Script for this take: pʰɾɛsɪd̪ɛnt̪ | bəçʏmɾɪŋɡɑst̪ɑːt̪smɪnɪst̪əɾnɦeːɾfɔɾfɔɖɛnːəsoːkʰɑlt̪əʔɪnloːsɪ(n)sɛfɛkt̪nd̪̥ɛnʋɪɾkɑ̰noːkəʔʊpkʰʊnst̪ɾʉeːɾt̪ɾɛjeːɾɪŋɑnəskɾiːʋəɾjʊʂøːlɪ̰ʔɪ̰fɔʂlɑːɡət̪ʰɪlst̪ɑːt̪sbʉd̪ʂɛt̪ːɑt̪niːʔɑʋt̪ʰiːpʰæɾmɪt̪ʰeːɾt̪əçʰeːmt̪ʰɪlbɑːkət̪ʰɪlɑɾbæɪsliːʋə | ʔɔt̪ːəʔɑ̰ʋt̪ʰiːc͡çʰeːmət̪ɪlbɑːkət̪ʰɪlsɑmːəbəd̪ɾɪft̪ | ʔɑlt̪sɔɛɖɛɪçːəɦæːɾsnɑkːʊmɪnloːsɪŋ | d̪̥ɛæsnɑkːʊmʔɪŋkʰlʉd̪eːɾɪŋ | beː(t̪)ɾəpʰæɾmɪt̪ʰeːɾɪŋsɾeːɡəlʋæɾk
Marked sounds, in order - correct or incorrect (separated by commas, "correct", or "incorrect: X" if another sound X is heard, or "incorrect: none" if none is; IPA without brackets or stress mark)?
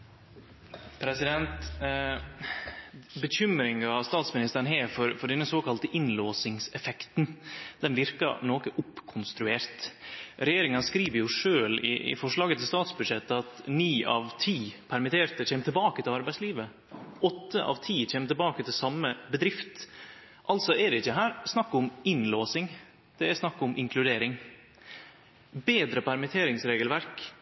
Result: incorrect: ŋ, incorrect: d̪